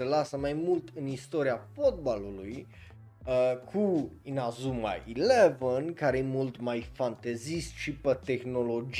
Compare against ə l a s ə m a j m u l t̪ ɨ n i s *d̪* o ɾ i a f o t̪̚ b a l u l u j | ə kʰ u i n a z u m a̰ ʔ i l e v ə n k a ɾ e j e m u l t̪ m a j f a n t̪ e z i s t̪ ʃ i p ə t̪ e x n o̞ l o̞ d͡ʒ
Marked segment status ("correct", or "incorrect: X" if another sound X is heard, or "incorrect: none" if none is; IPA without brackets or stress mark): incorrect: t̪